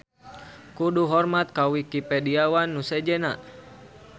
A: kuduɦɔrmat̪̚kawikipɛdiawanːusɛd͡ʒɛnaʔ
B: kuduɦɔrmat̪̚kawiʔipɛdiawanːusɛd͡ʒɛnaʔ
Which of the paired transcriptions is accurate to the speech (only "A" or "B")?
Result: A